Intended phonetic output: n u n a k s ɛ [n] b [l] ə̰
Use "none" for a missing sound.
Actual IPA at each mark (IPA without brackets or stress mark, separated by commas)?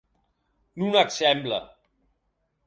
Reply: m, l